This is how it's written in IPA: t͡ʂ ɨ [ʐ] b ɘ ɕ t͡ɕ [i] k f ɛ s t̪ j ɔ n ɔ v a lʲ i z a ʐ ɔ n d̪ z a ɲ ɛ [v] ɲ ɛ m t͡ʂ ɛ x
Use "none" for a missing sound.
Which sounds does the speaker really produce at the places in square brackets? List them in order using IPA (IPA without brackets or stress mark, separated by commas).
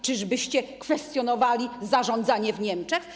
ʐ, ɛ, v